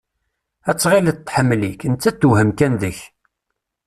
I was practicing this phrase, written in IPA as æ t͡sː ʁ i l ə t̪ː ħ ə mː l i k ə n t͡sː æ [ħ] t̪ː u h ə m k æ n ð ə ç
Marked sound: incorrect: none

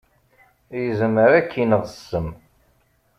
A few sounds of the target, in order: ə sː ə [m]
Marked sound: correct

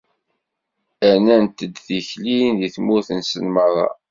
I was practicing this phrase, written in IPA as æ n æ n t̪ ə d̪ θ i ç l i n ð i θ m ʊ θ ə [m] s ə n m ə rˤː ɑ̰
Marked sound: incorrect: n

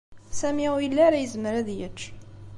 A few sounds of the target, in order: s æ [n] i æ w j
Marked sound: incorrect: m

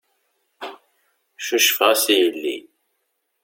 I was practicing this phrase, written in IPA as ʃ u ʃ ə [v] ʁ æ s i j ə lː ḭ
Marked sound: incorrect: f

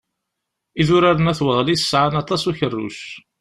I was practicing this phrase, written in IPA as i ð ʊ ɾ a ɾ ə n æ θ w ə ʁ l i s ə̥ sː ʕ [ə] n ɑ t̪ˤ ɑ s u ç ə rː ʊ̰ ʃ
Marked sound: incorrect: a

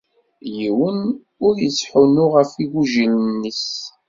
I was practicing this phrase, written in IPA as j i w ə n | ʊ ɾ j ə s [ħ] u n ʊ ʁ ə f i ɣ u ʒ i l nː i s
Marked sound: correct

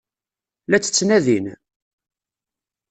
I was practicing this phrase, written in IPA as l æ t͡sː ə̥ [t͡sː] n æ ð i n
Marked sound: correct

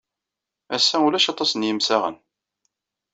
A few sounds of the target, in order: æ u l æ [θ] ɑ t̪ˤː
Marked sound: incorrect: ʃ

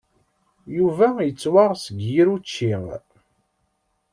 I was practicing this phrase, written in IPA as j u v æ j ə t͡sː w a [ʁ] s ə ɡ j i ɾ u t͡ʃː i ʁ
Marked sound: correct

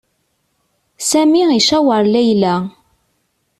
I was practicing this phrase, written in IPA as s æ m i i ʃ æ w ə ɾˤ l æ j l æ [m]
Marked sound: incorrect: none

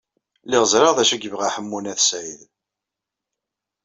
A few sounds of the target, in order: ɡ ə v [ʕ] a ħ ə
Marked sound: incorrect: ʁ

